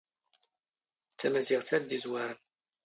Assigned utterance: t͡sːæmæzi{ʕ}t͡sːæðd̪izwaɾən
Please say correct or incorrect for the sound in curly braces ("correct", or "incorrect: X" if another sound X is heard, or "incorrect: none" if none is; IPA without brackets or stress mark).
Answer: incorrect: ʁ